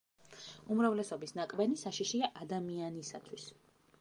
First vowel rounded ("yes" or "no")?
yes